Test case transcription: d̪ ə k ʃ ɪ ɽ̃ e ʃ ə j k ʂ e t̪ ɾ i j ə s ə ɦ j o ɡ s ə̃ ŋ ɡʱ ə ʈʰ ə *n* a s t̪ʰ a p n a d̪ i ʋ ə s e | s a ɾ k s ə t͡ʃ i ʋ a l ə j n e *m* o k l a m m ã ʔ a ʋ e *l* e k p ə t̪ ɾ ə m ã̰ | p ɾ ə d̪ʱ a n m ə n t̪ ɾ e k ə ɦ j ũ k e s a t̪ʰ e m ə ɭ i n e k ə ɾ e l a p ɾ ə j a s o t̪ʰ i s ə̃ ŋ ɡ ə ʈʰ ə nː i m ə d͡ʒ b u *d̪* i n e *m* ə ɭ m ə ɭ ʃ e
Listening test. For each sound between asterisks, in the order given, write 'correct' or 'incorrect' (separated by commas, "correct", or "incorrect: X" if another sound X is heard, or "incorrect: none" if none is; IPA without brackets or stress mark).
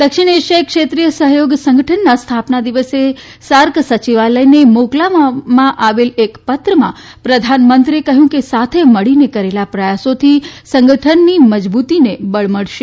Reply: incorrect: nː, correct, correct, incorrect: t̪, incorrect: b